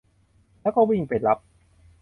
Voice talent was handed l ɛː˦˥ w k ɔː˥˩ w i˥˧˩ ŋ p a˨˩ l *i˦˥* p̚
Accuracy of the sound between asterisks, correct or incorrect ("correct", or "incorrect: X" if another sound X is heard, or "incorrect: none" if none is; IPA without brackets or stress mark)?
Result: incorrect: a˦˥